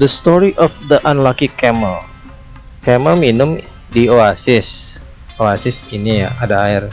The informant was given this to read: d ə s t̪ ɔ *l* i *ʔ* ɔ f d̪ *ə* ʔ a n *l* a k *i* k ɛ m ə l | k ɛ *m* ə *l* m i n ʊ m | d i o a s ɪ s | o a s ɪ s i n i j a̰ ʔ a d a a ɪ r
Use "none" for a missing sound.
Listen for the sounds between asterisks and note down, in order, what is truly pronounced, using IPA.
ɾ, ʔ, ə, l, i, m, l

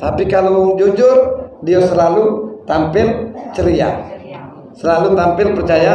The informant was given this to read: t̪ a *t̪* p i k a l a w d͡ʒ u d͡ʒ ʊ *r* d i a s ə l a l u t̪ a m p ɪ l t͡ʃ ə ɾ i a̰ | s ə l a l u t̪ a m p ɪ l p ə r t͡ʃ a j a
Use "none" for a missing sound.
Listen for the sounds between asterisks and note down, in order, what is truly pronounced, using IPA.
none, r

